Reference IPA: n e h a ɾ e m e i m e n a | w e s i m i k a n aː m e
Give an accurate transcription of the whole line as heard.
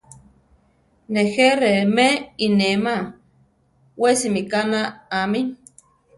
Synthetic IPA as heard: n e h e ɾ e m e i n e m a | w e s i m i k a n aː m i